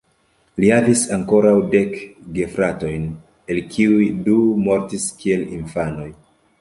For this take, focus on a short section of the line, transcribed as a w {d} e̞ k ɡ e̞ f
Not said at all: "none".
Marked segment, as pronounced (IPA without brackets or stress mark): d